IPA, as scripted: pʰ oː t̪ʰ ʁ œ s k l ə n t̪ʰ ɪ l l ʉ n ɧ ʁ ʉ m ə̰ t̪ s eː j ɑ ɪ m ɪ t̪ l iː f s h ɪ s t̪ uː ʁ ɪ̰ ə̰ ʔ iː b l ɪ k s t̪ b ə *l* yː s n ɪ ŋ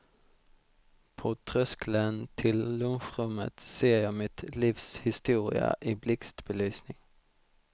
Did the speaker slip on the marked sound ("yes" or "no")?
no